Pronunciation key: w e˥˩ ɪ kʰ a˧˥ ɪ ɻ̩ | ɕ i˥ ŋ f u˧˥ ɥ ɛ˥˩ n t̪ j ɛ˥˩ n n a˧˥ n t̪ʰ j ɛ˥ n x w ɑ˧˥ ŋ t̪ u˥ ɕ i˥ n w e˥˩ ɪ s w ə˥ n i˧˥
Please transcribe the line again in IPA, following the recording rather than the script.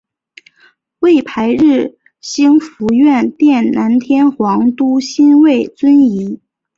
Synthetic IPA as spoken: w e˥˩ ɪ pʰ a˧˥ ɪ ɻ̩ | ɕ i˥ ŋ f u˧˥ ɥ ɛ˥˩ n t̪ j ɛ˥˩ n n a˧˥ n t̪ʰ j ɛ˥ n x w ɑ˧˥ ŋ t̪ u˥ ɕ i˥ n w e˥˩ ɪ t͡s w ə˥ n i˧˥

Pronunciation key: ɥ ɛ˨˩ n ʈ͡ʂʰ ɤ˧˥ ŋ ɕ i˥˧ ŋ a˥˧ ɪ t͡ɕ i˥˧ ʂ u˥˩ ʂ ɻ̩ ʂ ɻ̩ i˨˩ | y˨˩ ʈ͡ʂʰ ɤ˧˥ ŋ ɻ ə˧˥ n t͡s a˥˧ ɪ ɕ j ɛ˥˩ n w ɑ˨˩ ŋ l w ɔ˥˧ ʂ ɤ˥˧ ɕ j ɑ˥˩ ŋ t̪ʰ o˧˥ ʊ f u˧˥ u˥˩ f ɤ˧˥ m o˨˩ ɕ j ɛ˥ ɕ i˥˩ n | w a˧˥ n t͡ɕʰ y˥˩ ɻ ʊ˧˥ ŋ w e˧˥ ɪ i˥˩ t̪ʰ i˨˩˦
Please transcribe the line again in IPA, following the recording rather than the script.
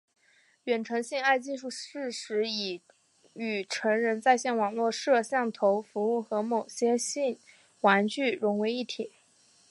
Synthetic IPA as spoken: ɥ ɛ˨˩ n ʈ͡ʂʰ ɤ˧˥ ŋ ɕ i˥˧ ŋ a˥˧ ɪ t͡ɕ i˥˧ ʂ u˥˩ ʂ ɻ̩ ʂ ɻ̩ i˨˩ | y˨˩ ʈ͡ʂʰ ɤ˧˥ ŋ ɻ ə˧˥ n t͡s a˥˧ ɪ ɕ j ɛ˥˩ n w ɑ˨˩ ŋ l w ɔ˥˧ ʂ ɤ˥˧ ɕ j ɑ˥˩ ŋ t̪ʰ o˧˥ ʊ f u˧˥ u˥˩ x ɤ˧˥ m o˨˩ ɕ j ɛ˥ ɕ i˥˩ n | w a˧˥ n t͡ɕ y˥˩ ɻ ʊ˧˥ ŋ w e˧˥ ɪ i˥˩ t̪ʰ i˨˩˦

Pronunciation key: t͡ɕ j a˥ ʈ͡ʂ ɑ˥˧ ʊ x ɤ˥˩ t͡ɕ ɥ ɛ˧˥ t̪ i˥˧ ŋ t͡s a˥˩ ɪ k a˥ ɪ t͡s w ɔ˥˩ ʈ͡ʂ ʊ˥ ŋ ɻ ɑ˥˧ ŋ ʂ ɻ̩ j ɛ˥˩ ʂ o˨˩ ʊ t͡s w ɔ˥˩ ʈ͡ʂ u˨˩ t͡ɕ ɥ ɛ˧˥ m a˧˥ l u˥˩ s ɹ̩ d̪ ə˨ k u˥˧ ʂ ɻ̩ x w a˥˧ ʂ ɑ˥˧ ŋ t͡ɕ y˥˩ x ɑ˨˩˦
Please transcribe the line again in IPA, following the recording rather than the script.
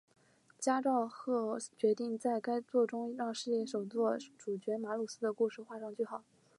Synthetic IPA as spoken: t͡ɕ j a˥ ʈ͡ʂ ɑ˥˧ ʊ x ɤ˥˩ t͡ɕ ɥ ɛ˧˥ t̪ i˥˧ ŋ t͡s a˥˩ ɪ k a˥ ɪ t͡s w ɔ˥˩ ʈ͡ʂ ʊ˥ ŋ ɻ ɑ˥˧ ŋ ʂ ɻ̩ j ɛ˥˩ ʂ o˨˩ ʊ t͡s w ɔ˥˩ ʈ͡ʂ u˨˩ t͡ɕ ɥ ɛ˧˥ m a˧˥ l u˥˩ s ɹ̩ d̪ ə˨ k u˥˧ ʂ ɻ̩ x w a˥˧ ʂ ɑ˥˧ ŋ t͡ɕ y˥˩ x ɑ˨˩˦

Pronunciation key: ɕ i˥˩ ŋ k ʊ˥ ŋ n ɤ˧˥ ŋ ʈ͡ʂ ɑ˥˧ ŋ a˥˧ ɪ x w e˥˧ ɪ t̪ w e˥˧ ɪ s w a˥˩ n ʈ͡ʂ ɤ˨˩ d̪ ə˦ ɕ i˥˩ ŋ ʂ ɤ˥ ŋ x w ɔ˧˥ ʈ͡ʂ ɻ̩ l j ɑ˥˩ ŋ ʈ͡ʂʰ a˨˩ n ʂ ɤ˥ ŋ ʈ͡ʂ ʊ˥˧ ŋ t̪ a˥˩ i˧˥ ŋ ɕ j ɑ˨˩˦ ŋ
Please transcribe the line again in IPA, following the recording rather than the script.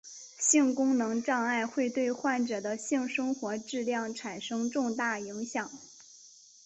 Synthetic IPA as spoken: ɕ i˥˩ ŋ k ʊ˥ ŋ n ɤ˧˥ ŋ ʈ͡ʂ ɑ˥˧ ŋ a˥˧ ɪ x w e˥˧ ɪ t̪ w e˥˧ ɪ x w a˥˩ n ʈ͡ʂ ɤ˨˩ d̪ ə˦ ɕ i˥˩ ŋ ʂ ɤ˥ ŋ x w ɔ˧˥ ʈ͡ʂ ɻ̩ l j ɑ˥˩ ŋ ʈ͡ʂʰ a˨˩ n ʂ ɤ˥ ŋ ʈ͡ʂ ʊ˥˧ ŋ t̪ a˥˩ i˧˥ ŋ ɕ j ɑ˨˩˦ ŋ

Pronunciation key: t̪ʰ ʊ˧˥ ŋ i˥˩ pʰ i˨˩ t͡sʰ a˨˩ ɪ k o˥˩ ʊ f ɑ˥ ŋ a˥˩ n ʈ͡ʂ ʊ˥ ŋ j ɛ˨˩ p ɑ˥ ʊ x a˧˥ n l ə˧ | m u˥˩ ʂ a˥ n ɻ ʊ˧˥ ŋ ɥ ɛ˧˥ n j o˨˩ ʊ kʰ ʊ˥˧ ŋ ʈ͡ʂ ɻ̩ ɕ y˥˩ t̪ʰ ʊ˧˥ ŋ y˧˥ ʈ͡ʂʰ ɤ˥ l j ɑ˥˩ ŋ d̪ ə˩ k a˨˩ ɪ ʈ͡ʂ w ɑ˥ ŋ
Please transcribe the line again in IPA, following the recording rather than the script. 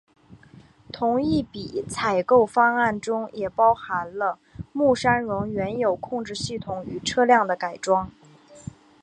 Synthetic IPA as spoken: t̪ʰ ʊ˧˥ ŋ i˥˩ p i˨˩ t͡sʰ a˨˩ ɪ k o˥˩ ʊ f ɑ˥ ŋ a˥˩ n ʈ͡ʂ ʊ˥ ŋ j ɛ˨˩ p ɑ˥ ʊ x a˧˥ n l ə˧ | m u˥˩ ʂ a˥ n ɻ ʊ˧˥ ŋ ɥ ɛ˧˥ n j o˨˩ ʊ kʰ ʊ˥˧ ŋ ʈ͡ʂ ɻ̩ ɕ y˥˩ t̪ʰ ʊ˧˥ ŋ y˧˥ ʈ͡ʂʰ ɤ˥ l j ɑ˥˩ ŋ d̪ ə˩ k a˨˩ ɪ ʈ͡ʂ w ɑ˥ ŋ

